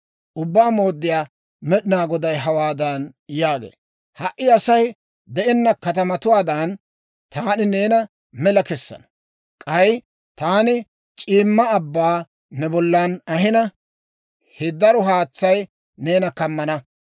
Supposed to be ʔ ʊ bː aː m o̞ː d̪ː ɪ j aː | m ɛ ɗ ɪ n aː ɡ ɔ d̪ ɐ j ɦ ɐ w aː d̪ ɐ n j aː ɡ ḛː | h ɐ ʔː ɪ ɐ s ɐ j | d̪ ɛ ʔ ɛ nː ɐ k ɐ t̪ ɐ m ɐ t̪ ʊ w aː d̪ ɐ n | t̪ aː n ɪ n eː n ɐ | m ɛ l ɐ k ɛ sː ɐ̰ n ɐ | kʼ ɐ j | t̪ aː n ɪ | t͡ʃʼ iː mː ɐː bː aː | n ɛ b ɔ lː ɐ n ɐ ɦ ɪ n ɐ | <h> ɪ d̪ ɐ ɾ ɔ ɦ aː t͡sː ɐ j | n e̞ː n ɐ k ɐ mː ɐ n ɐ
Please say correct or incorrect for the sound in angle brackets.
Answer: correct